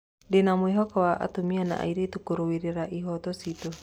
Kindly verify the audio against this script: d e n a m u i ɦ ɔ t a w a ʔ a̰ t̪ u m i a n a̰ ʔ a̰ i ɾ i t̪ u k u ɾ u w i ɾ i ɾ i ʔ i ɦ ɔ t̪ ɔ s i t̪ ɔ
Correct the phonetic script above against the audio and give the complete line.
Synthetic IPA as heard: d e n a m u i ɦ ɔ k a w a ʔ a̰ t̪ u m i a n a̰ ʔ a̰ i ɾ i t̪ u k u ɾ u w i ɾ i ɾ a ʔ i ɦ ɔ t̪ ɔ s i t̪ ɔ